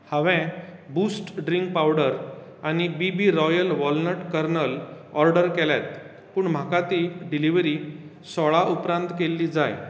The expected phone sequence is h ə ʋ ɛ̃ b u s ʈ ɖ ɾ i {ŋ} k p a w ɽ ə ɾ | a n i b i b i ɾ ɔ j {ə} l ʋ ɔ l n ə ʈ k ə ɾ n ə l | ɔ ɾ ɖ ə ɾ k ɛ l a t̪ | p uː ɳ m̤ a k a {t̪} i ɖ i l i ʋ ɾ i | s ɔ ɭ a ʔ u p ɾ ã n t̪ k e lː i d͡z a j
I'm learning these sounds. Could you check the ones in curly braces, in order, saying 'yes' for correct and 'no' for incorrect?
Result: yes, yes, yes

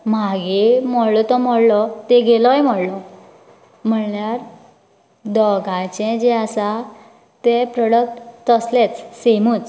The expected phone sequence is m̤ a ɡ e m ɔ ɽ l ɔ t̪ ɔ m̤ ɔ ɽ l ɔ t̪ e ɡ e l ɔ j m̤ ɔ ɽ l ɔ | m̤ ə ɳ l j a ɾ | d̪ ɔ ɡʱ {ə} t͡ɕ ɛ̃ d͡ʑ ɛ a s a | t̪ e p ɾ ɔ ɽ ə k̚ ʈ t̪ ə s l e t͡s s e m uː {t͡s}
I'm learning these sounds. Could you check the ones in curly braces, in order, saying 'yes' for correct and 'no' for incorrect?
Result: no, yes

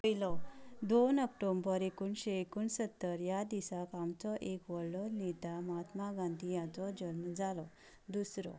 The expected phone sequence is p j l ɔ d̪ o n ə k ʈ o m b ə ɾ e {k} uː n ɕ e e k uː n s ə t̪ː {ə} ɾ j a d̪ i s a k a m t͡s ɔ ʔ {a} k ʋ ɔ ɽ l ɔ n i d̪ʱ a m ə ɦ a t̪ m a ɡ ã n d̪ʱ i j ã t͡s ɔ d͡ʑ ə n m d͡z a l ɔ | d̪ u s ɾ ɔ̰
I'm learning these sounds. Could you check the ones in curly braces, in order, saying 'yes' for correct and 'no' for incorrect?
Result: yes, yes, no

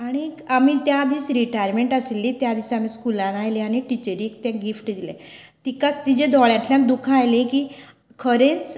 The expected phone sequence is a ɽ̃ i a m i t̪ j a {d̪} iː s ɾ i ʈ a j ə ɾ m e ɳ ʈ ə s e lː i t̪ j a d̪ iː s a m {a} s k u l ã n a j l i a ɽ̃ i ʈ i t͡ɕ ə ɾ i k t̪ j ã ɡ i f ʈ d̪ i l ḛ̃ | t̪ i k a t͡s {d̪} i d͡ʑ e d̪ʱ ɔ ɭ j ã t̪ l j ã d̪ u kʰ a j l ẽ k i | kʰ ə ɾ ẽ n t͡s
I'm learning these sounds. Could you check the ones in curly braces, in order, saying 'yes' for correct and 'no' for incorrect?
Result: yes, no, no

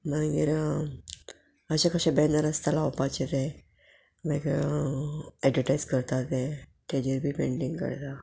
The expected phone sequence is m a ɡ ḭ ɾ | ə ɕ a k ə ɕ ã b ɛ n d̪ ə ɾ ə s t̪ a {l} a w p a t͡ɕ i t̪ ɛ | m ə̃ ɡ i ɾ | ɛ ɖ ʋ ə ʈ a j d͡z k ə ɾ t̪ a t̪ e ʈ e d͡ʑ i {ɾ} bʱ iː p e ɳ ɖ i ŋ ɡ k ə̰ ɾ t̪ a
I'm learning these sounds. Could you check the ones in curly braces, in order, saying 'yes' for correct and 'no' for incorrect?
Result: yes, yes

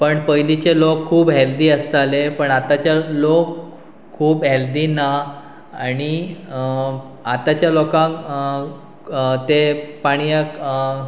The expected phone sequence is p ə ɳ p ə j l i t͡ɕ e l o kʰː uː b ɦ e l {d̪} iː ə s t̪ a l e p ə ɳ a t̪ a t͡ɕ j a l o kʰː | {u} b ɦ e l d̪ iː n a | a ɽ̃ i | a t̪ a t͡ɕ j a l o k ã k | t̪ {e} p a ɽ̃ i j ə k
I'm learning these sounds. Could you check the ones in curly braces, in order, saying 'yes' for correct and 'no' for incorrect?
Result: yes, no, yes

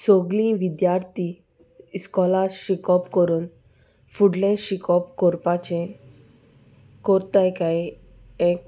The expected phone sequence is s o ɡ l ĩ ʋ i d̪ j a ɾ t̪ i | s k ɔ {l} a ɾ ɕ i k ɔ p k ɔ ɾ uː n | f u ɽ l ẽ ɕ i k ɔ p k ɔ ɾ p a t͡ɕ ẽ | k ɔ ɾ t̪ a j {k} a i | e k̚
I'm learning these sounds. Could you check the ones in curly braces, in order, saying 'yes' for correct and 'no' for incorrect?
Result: yes, yes

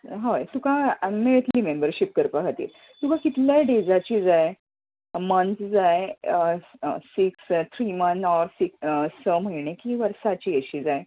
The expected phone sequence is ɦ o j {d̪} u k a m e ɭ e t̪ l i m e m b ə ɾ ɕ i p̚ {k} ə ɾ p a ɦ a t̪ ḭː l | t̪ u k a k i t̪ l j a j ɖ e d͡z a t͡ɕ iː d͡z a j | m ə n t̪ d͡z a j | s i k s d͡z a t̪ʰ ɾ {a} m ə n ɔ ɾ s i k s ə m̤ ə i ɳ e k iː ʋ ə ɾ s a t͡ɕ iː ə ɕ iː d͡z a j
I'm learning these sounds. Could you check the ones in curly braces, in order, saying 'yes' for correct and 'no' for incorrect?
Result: no, yes, no

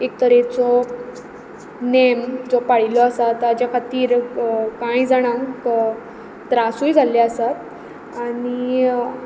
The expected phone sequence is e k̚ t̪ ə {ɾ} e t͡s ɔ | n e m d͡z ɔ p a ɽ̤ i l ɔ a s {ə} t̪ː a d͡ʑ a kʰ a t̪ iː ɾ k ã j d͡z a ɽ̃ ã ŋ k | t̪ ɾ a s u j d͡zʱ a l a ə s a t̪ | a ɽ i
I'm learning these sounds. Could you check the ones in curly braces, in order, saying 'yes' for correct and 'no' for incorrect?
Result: yes, no

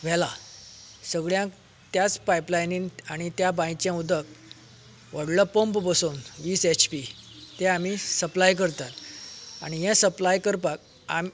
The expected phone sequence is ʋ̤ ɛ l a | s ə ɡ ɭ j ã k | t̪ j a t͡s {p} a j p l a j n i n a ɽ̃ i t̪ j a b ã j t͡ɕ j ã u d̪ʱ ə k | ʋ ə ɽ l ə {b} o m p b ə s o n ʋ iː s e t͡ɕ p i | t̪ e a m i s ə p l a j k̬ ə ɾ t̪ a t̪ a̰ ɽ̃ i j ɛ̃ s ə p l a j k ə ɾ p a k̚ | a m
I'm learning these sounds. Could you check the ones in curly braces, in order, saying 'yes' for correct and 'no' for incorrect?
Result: yes, no

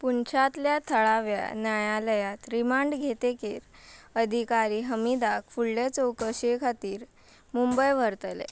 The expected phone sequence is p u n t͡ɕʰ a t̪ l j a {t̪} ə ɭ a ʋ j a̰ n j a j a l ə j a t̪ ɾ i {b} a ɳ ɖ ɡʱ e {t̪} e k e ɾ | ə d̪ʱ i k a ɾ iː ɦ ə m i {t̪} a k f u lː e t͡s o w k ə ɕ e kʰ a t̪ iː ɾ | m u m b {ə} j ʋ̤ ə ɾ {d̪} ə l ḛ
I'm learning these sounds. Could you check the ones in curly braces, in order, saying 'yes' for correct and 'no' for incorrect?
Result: no, no, yes, no, yes, no

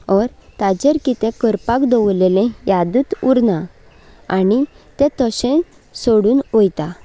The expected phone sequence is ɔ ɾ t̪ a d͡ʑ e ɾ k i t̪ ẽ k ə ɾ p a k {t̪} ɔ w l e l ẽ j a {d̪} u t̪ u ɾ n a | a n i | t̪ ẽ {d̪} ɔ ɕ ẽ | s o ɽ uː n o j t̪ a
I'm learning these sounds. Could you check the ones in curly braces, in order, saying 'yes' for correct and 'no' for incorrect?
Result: no, yes, no

